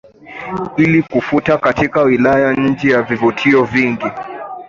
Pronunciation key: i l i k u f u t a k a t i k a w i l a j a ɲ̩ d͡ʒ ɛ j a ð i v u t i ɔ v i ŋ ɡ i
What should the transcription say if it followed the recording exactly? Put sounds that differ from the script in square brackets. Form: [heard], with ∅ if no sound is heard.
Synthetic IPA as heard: i l i k u f u t a k a t i k a w i l a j a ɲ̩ d͡ʒ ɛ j a [v] i v u [tʰ] i ɔ v i ŋ ɡ i

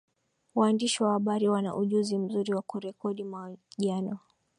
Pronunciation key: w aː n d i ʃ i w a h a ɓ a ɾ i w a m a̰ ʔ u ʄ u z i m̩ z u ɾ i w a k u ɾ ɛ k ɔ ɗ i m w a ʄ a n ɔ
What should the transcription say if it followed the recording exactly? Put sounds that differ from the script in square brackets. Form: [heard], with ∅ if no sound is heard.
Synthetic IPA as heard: w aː n d i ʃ i w a h a ɓ a ɾ i w a [n] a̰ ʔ u ʄ u z i m̩ z u ɾ i w a k u ɾ ɛ k ɔ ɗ i m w a ʄ a n ɔ

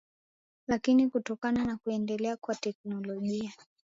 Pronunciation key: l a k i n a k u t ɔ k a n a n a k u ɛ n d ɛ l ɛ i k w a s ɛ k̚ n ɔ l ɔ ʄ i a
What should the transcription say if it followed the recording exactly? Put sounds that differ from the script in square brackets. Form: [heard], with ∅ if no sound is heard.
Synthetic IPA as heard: l a k i n [i] k u t ɔ k a n a n a k u ɛ n d ɛ l ɛ [a] k w a [t] ɛ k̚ n ɔ l ɔ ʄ i a

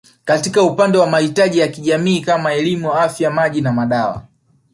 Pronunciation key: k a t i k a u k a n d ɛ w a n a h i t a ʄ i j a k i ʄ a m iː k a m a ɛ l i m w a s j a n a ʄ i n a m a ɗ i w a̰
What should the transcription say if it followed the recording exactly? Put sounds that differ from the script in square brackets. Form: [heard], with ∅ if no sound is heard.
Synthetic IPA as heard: k a t i k a u [p] a n d ɛ w a [m] a h i t a ʄ i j a k i ʄ a m iː k a m a ɛ l i m [u] a [f] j a [m] a ʄ i n a m a ɗ [a] w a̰

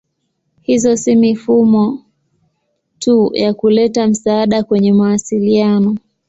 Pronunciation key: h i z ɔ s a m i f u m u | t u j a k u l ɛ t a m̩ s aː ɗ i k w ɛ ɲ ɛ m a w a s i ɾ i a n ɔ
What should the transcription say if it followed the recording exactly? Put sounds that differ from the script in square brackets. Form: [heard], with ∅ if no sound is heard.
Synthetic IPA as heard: h i z ɔ s [i] m i f u m [ɔ] | t u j a k u l ɛ t a m̩ s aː ɗ [a] k w ɛ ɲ ɛ m a w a s i [l] i a n ɔ

